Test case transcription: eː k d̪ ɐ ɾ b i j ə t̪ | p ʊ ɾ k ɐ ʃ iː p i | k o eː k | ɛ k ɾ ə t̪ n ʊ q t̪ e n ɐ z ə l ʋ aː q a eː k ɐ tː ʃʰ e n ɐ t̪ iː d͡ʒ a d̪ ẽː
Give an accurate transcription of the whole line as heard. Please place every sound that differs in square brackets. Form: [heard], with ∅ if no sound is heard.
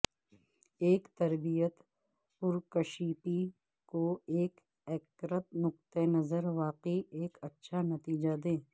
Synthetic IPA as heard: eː k [t̪] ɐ ɾ b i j ə t̪ | p ʊ ɾ k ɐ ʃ iː p i | k o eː k | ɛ k ɾ ə t̪ n ʊ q t̪ e n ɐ z ə [ɾ] ʋ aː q [i] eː k ɐ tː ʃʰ [a] n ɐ t̪ iː d͡ʒ a d̪ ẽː